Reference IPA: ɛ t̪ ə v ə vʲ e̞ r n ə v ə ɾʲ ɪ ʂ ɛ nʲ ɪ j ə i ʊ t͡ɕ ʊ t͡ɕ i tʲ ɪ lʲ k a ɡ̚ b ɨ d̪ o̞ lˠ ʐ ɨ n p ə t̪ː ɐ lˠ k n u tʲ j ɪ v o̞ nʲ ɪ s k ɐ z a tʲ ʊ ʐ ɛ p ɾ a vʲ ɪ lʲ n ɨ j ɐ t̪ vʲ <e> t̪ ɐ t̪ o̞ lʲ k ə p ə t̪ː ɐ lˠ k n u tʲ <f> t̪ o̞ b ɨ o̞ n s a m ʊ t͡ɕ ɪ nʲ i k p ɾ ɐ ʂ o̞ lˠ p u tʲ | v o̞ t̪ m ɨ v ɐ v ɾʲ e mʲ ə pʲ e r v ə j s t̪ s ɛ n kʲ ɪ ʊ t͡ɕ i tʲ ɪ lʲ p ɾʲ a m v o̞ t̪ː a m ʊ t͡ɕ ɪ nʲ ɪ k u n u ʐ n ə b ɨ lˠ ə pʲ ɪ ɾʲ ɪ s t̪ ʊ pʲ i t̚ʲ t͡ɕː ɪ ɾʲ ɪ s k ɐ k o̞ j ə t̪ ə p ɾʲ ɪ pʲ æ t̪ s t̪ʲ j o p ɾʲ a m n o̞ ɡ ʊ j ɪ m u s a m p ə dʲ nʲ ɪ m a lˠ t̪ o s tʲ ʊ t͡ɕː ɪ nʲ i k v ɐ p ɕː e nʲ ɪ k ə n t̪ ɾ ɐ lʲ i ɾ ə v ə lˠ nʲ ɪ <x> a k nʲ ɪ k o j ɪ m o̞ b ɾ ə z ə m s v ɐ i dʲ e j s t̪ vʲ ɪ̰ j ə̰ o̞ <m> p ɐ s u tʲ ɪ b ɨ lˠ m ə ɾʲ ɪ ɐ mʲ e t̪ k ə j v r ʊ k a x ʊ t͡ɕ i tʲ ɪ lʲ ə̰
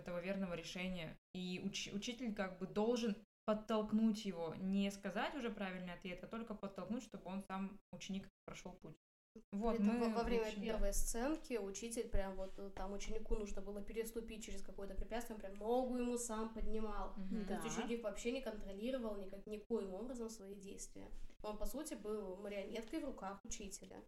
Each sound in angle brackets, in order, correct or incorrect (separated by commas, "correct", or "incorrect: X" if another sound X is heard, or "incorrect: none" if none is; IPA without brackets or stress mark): correct, incorrect: ʂ, incorrect: k, incorrect: n